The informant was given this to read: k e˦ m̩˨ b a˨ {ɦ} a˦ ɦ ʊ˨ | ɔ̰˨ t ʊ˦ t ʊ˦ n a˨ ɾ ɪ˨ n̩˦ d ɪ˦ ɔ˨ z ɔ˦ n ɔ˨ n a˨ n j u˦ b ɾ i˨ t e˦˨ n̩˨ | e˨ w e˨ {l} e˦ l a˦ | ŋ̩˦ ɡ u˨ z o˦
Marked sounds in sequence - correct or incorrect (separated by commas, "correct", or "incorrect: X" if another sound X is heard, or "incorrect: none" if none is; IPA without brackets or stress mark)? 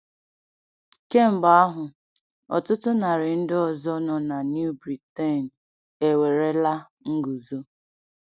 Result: incorrect: none, incorrect: ɾ